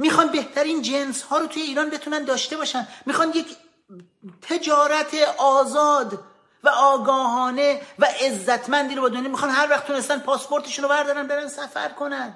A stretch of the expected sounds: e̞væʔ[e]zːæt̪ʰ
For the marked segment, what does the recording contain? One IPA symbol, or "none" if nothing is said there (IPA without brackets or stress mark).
e